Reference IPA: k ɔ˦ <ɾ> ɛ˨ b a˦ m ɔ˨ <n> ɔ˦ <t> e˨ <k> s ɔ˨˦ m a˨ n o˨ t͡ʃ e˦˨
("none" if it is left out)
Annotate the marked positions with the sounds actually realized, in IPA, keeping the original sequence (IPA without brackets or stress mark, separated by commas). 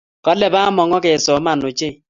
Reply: l, ŋ, k, none